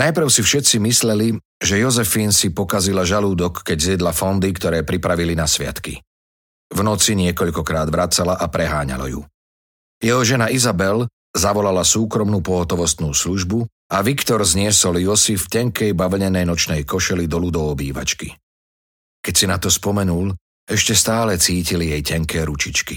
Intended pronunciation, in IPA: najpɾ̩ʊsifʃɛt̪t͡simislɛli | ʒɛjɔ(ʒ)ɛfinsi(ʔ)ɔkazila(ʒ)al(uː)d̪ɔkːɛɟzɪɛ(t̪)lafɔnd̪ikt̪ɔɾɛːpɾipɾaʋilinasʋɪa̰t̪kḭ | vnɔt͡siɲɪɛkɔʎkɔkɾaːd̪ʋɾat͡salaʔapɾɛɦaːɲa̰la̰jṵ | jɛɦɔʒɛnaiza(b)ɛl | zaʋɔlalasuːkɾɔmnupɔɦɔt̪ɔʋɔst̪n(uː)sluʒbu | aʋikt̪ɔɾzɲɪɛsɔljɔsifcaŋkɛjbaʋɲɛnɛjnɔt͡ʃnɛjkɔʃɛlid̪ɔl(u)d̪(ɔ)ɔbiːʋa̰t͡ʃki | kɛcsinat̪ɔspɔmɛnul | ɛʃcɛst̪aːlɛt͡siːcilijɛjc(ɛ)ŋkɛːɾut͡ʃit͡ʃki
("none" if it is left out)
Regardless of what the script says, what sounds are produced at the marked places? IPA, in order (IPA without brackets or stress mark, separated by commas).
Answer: z, p, ʒ, uː, d̪, b, uː, u, ɔ, a